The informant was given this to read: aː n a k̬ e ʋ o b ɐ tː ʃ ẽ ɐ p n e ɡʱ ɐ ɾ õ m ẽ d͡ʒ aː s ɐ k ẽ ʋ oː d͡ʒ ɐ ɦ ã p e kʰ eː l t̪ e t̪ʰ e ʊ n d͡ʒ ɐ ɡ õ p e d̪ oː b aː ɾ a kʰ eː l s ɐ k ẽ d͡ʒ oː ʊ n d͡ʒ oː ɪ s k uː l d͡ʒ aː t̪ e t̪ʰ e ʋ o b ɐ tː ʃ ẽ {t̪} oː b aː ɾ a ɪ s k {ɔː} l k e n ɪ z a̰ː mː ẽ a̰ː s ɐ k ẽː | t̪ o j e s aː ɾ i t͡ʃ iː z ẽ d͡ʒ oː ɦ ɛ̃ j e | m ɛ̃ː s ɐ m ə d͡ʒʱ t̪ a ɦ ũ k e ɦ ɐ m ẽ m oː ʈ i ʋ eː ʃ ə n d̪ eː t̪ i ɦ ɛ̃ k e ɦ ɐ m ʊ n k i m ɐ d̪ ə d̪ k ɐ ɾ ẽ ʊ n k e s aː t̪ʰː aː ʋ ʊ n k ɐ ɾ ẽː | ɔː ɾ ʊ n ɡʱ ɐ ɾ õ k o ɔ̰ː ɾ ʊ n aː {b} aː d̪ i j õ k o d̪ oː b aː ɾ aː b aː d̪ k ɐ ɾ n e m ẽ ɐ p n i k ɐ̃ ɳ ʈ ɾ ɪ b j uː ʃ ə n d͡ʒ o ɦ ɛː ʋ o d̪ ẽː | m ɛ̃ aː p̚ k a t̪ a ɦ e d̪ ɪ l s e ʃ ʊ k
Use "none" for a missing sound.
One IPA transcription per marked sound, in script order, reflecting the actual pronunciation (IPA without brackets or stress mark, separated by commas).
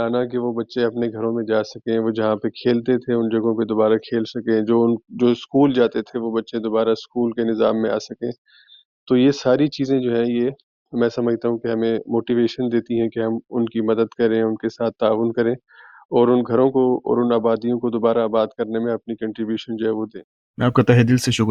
d̪, uː, b